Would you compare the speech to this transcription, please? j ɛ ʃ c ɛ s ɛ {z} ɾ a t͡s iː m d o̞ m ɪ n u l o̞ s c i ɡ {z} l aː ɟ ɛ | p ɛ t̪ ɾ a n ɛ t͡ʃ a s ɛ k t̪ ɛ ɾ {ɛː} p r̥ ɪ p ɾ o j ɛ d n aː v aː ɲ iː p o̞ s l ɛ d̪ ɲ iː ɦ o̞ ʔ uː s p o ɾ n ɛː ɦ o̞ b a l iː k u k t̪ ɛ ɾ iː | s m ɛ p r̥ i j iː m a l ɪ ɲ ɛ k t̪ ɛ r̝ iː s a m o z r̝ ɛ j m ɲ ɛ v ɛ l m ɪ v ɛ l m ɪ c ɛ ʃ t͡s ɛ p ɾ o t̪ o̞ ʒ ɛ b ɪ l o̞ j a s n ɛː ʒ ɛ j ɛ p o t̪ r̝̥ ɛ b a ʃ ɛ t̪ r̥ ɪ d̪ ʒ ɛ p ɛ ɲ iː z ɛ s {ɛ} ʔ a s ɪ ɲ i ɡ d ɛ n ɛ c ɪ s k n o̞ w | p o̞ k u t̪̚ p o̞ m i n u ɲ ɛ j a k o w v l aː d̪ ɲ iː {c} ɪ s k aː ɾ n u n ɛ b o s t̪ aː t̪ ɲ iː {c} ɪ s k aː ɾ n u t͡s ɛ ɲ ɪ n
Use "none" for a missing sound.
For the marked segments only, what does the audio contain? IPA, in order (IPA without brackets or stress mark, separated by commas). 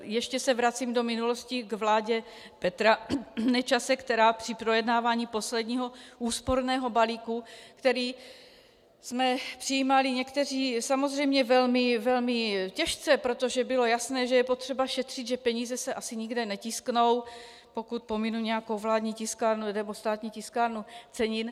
v, v, aː, ɛ, c, c